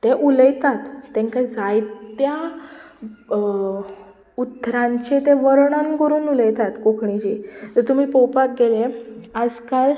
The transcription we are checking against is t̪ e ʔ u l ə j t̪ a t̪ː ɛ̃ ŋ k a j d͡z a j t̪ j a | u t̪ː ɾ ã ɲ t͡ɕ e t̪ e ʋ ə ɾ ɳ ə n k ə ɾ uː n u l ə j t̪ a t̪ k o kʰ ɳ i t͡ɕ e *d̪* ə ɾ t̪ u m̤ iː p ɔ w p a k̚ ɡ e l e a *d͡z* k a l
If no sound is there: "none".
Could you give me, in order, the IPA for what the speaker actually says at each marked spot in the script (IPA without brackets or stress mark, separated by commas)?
t̪, d͡z